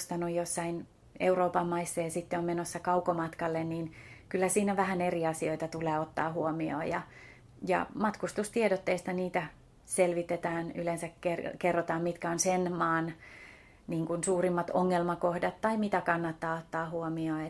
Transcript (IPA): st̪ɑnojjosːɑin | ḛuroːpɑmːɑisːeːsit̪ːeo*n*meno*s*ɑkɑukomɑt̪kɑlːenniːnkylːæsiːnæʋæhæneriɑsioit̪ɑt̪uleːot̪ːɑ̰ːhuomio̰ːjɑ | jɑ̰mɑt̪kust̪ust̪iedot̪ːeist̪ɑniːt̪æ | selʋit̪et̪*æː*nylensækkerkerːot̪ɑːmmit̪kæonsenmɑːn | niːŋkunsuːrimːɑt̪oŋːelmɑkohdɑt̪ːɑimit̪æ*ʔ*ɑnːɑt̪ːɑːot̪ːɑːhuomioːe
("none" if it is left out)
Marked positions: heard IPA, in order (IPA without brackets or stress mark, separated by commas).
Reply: m, sː, æː, k